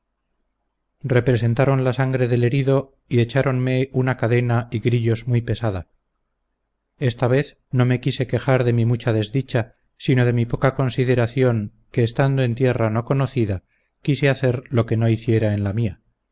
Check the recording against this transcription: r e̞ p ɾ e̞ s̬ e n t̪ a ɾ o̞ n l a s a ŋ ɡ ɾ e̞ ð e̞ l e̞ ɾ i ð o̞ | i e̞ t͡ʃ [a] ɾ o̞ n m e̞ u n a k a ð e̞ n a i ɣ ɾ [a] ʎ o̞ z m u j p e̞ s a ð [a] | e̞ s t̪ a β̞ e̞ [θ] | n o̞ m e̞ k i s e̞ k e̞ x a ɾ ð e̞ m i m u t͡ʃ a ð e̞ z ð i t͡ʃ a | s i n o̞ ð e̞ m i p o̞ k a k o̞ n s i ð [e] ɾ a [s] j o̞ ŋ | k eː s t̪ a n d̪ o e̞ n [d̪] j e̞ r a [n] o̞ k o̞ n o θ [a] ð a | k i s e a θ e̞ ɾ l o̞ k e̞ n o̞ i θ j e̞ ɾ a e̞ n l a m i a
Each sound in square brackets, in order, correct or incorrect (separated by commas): correct, incorrect, correct, correct, correct, incorrect, incorrect, correct, incorrect